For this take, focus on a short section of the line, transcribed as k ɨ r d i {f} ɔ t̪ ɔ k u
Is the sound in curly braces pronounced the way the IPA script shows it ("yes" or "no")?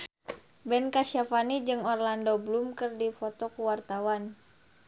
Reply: yes